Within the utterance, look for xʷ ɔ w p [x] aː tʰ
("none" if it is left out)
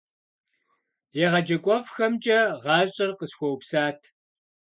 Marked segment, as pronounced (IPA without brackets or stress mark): s